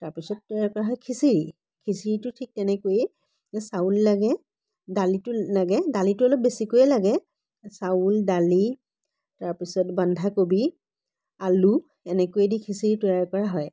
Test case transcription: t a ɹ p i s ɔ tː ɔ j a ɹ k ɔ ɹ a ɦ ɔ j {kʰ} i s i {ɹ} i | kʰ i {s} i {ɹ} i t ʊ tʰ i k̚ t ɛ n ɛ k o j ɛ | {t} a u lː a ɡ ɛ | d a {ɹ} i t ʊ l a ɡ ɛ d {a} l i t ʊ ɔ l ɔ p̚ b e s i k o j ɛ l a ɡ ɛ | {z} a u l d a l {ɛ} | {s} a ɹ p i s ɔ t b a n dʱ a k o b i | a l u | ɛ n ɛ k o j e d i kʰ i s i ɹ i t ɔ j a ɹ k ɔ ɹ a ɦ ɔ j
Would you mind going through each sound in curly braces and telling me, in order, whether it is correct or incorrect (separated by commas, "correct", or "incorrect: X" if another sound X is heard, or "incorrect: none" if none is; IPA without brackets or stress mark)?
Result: correct, correct, correct, correct, incorrect: s, incorrect: l, correct, incorrect: s, incorrect: i, incorrect: t